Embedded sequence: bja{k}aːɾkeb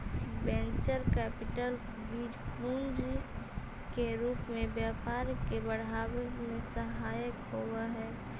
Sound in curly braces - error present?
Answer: yes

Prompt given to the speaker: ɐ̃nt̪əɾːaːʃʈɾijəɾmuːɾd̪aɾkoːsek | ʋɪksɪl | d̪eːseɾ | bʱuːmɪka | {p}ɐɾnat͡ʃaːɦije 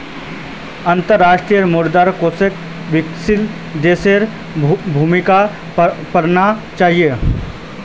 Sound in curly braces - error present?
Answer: no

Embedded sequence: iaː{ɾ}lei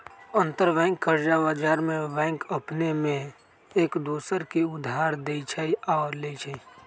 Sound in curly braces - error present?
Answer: no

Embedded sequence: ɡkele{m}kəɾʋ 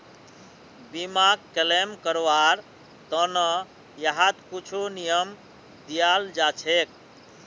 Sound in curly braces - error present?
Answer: no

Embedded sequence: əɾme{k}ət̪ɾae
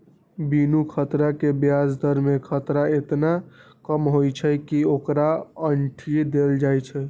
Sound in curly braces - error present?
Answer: yes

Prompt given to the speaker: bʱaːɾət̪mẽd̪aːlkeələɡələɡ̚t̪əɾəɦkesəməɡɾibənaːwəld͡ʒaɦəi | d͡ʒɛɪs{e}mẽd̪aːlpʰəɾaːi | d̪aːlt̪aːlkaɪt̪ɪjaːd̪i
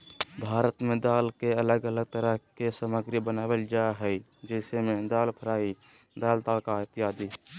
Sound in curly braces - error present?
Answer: no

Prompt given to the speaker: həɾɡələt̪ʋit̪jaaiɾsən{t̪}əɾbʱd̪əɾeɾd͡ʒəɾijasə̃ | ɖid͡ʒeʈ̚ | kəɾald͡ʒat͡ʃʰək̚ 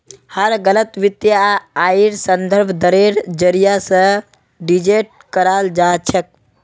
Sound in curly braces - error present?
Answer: yes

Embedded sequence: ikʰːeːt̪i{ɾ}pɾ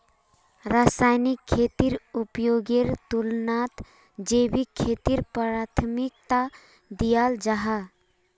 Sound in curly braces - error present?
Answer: no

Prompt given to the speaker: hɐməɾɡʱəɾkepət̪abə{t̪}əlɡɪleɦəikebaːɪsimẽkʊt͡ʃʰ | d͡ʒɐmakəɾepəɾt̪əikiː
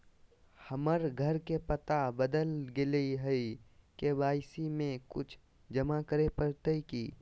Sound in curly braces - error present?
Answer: yes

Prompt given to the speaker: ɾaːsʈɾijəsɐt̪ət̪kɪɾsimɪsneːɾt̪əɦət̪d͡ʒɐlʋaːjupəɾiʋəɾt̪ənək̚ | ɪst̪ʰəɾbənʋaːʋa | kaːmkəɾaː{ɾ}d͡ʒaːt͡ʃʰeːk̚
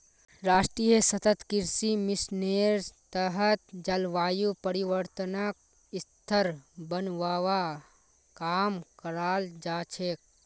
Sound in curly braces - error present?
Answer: yes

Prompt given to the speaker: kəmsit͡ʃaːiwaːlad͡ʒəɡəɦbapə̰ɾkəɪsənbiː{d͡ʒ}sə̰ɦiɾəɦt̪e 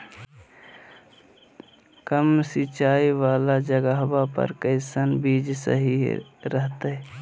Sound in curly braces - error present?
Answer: no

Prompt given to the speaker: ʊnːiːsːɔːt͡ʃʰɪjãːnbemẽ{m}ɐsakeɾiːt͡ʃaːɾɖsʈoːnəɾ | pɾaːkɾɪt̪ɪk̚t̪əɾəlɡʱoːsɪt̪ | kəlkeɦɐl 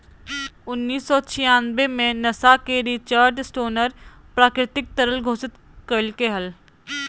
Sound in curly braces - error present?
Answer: yes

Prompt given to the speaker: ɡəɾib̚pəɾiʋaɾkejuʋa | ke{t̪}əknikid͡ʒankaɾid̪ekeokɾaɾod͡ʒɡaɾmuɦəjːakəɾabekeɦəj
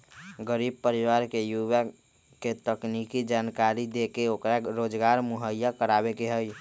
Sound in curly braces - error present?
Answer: no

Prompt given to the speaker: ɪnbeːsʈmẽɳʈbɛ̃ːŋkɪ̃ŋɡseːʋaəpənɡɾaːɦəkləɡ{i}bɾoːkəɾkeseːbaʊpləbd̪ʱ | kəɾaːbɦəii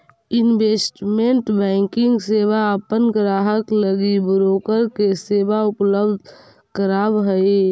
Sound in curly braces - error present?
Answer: no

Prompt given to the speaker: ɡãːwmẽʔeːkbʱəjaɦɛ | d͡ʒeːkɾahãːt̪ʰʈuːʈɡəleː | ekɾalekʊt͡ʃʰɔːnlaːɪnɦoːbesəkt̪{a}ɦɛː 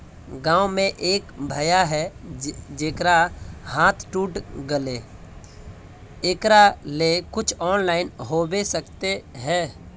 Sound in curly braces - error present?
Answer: yes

